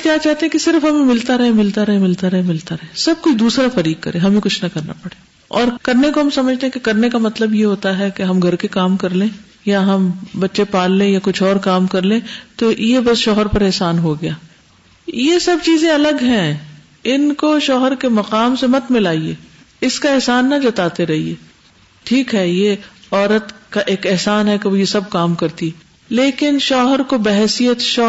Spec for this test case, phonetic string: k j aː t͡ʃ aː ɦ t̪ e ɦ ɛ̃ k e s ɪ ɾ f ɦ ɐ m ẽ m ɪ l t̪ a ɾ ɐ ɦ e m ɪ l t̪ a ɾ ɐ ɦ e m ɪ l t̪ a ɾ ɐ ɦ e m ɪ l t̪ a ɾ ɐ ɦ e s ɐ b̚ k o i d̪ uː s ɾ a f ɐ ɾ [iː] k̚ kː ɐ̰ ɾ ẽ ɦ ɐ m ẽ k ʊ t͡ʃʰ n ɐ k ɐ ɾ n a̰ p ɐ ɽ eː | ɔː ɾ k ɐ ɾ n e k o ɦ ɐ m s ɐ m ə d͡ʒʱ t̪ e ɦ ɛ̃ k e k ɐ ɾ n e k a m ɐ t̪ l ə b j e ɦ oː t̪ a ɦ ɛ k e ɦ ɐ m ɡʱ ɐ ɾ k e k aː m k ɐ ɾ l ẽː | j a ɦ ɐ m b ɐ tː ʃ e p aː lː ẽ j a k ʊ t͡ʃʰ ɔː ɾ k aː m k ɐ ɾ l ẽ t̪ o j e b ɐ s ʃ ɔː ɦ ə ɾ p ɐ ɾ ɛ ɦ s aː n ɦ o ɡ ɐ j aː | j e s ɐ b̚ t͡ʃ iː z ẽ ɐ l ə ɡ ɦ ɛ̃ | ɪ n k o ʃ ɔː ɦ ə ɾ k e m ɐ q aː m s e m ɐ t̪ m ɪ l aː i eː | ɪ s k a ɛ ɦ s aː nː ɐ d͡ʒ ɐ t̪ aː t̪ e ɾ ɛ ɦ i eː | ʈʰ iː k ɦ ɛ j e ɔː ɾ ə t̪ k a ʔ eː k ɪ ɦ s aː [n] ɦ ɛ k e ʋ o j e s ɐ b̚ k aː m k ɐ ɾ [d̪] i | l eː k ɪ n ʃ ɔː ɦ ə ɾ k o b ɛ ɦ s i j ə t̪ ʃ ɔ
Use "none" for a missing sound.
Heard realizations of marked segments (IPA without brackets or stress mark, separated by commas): iː, n, t̪